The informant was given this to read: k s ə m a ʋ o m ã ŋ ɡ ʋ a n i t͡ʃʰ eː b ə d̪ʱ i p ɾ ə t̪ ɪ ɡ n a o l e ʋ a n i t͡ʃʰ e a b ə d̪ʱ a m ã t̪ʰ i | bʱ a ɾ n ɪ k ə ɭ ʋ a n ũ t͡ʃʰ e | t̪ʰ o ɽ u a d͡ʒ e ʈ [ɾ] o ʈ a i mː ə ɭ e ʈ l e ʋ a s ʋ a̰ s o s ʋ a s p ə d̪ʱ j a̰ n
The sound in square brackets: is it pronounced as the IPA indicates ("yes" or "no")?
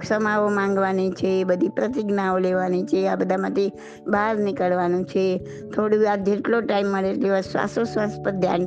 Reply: no